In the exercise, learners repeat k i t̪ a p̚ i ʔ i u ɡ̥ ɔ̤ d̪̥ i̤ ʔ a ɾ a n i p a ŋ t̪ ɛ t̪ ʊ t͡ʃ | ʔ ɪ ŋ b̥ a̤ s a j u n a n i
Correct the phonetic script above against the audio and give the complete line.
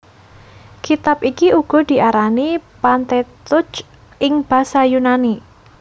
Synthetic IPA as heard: k i t̪ a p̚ i k i u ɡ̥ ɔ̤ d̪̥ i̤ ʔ a ɾ a n i p a n t̪ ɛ t̪ ʊ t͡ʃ | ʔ ɪ ŋ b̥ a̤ s a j u n a n i